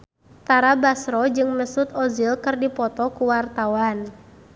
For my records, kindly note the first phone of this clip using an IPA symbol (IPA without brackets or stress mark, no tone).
t̪